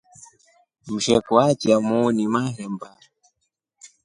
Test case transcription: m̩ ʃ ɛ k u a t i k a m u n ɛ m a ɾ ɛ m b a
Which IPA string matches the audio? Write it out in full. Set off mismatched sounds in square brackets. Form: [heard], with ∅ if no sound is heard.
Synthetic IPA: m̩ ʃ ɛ k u a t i [∅] a m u n [i] m a ɾ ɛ m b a

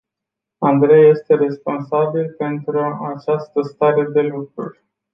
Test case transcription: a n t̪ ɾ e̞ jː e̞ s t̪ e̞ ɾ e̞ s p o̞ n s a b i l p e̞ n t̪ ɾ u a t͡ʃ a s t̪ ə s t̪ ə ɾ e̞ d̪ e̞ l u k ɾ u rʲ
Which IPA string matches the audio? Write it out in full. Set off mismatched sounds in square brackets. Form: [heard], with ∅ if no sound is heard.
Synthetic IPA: a n [d̪] ɾ e̞ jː e̞ s t̪ e̞ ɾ e̞ s p o̞ n s a b i l p e̞ n t̪ ɾ u a t͡ʃ a s t̪ ə s t̪ [a] ɾ e̞ d̪ e̞ l u k ɾ u rʲ

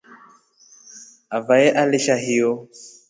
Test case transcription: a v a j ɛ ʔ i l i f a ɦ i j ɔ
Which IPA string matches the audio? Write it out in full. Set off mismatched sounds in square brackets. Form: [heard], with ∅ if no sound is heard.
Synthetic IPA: a v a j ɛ ʔ [a] l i [ʃ] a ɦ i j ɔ

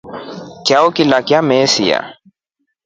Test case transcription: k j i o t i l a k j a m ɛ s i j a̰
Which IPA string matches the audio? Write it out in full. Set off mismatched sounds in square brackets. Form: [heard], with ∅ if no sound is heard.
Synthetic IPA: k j [a] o [k] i l a k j a m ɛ s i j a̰

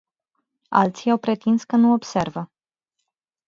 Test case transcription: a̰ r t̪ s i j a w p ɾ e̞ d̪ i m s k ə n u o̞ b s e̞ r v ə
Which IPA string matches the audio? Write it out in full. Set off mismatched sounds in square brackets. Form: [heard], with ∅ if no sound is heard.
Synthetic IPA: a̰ [l] t̪ s i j a w p ɾ e̞ [t̪] i [n] s k ə n u o̞ b s e̞ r v ə

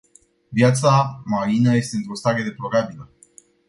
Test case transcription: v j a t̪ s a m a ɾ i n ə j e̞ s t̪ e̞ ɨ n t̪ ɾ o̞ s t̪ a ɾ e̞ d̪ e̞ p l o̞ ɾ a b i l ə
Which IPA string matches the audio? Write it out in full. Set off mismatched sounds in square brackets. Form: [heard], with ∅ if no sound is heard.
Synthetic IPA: v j a t̪ s a m a ɾ i n ə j e̞ s t̪ e̞ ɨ n t̪ ɾ o̞ s t̪ a ɾ e̞ d̪ e̞ p l o̞ ɾ a b i l ə

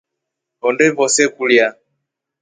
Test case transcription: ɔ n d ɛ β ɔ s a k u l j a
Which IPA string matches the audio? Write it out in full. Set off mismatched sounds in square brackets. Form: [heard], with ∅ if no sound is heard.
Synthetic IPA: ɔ n d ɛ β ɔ s [ɛ] k u l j a

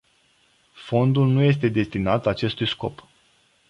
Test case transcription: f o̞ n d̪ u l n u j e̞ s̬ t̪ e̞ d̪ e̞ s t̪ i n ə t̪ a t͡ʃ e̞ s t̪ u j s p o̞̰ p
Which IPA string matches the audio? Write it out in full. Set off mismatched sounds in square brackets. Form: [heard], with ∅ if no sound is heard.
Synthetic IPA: f o̞ n d̪ u l n u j e̞ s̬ t̪ e̞ d̪ e̞ s t̪ i n [a] t̪ a t͡ʃ e̞ s t̪ u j s [k] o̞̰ p

